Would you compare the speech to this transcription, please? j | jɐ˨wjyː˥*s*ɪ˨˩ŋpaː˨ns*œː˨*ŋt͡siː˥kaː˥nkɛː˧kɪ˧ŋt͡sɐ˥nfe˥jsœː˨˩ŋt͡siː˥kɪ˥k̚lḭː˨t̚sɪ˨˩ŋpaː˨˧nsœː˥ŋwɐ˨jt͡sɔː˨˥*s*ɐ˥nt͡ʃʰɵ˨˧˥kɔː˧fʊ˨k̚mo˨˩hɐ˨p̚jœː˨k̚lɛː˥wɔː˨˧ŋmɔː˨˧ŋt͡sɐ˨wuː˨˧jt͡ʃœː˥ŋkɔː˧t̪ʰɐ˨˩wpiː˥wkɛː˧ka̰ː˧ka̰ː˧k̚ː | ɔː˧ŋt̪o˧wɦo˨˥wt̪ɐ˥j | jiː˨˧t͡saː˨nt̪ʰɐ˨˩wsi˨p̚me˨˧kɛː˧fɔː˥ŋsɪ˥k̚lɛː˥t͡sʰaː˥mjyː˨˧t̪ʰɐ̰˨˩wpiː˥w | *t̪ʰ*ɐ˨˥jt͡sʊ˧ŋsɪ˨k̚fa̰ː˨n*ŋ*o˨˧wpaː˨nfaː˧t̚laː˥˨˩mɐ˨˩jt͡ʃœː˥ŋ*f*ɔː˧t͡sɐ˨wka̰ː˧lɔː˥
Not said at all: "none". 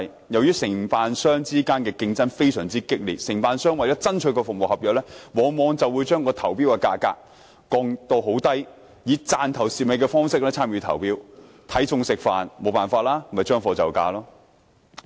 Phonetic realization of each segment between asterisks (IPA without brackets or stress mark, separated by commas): s, œː˥, t͡s, t̪ʰ, m, f